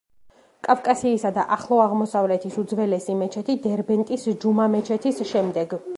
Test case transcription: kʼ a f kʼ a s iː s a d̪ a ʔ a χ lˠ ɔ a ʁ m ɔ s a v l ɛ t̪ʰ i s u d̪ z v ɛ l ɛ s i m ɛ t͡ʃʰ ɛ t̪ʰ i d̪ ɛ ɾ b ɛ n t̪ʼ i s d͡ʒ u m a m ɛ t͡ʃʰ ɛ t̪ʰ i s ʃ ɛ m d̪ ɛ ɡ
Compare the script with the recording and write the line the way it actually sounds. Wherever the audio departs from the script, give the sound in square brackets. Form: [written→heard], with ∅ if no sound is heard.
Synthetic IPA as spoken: kʼ a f kʼ a s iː s a d̪ a ʔ a χ lˠ ɔ a ʁ m ɔ s a v l ɛ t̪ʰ i s u d̪ z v ɛ l ɛ s i m ɛ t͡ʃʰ ɛ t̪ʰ i d̪ ɛ ɾ b ɛ n t̪ʼ i s d͡ʒ u m a m ɛ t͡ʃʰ ɛ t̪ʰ i s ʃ ɛ m d̪ ɛ ɡ